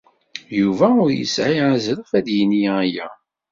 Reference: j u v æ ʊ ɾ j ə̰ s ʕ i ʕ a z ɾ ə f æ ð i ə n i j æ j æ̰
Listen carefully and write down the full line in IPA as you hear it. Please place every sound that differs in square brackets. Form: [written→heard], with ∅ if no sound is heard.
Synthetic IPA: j u v æ ʊ ɾ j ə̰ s ʕ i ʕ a z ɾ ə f æ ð [i→j] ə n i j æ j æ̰